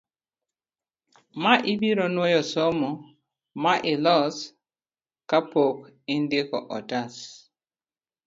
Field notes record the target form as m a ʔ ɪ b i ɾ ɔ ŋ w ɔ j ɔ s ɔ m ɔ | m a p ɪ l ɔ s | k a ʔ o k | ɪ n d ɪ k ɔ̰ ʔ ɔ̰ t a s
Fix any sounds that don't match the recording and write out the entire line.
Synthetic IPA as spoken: m a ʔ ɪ b i ɾ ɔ n w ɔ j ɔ s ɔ m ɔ | m a ʔ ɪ l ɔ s | k a p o k | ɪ n d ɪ k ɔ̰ ʔ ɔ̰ t a s